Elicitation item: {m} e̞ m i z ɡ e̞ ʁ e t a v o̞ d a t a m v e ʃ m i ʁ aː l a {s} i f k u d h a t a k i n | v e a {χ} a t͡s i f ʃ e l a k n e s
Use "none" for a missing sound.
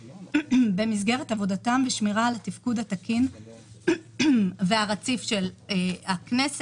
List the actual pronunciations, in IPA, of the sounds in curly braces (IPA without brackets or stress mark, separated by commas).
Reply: b, t, ʁ